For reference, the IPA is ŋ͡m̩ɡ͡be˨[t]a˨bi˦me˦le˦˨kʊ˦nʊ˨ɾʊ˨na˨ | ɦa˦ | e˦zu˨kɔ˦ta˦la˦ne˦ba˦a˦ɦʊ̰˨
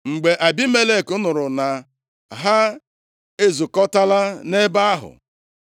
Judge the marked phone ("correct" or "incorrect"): incorrect